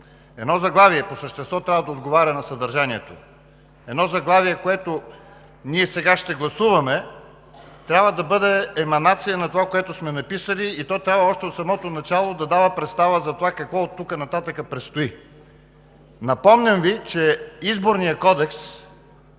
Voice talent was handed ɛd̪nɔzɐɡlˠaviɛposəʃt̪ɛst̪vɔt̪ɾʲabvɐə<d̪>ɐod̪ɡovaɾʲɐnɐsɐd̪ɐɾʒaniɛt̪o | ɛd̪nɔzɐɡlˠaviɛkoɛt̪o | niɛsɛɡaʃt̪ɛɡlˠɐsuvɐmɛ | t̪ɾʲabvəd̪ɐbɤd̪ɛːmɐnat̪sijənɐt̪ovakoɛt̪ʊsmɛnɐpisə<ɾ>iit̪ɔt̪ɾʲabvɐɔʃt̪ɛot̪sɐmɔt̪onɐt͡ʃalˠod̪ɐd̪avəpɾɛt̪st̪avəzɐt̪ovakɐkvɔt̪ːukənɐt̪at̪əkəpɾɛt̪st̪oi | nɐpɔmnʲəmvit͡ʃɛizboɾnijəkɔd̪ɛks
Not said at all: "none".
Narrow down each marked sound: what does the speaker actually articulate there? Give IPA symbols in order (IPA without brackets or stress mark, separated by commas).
d̪, l